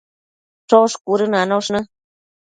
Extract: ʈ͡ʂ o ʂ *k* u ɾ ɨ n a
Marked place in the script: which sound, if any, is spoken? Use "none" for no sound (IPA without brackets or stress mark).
k